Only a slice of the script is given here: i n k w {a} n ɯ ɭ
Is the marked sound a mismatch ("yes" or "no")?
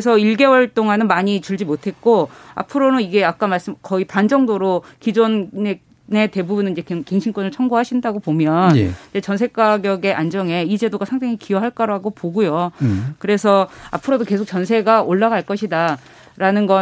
yes